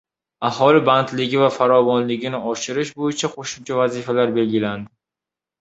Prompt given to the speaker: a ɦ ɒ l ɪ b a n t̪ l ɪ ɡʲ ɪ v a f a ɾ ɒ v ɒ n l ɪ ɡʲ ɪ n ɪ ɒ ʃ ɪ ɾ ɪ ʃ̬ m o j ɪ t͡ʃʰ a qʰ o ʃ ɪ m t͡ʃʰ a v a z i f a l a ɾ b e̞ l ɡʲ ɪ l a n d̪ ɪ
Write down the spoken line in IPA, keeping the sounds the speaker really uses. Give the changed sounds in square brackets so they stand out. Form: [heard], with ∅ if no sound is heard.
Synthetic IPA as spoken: a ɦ ɒ l ɪ b a n t̪ l ɪ ɡʲ ɪ v a f a ɾ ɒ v ɒ n l ɪ ɡʲ ɪ n ɪ ɒ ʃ ɪ ɾ ɪ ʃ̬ [b] o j ɪ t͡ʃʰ a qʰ o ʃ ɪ m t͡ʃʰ a v a z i f a l a ɾ b e̞ l ɡʲ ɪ l a n d̪ ɪ